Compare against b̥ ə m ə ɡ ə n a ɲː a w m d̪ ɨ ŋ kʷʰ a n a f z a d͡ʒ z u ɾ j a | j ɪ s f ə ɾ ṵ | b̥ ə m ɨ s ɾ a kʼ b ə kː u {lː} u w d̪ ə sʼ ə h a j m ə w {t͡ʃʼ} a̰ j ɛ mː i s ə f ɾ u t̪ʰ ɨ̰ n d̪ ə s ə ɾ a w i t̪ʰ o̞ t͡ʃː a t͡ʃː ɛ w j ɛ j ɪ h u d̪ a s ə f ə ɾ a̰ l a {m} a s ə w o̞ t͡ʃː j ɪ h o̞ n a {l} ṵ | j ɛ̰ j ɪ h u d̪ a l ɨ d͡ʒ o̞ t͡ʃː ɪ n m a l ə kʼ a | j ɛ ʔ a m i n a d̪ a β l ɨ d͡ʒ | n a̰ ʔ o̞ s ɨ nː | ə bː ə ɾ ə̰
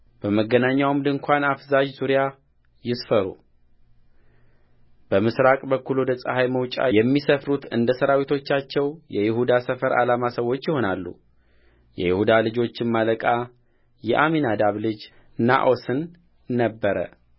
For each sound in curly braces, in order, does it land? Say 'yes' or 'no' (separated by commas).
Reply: no, yes, yes, no